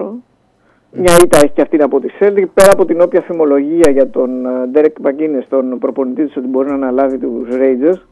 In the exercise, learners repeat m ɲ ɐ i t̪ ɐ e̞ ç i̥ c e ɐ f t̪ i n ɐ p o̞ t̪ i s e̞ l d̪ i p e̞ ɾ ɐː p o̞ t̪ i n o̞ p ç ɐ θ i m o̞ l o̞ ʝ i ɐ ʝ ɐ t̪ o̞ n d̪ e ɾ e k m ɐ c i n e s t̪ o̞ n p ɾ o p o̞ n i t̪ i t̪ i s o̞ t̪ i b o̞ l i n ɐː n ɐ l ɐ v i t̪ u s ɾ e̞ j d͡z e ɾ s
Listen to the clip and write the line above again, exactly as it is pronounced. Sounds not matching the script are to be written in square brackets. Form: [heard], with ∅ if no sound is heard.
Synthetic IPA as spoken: m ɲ ɐ i t̪ ɐ e̞ ç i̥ c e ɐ f t̪ i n ɐ p o̞ t̪ i s e̞ l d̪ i p e̞ ɾ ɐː p o̞ t̪ i n o̞ p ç ɐ θ i m o̞ l o̞ ʝ i ɐ ʝ ɐ t̪ o̞ n d̪ e ɾ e k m ɐ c i n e s t̪ o̞ n p ɾ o p o̞ n i t̪ i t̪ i s o̞ t̪ i b o̞ [ɾ] i n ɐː n ɐ l ɐ v i t̪ u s ɾ e̞ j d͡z e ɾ s